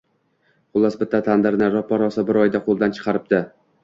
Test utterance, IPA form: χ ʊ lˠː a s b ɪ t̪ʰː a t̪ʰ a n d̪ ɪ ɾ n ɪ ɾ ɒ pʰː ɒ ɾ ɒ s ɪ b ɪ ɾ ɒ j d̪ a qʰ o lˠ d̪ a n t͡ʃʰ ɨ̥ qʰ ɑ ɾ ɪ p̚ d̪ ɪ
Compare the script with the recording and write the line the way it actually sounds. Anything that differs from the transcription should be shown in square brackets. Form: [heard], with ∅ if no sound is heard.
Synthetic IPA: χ ʊ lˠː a s b ɪ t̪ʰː a t̪ʰ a n d̪ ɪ ɾ n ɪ ɾ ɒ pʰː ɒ ɾ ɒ s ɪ b ɪ ɾ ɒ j d̪ a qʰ o lˠ d̪ a n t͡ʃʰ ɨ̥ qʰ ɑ ɾ ɪ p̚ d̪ ɪ